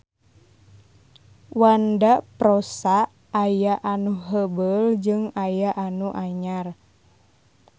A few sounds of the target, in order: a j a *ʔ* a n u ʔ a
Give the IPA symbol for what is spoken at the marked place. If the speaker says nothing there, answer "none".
ʔ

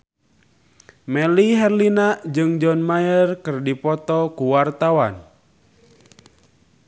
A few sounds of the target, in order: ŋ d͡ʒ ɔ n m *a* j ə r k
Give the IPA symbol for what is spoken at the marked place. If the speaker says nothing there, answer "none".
a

